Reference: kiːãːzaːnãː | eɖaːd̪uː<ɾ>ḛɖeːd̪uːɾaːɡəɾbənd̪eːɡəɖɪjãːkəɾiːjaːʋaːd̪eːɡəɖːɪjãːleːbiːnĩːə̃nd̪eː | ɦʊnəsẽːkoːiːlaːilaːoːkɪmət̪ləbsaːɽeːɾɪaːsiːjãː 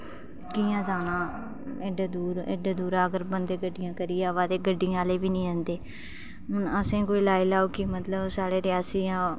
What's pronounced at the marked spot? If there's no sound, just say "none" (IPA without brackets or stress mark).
ɾ